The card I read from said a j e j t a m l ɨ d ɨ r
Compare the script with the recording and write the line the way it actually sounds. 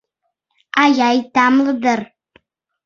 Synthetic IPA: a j a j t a m l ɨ d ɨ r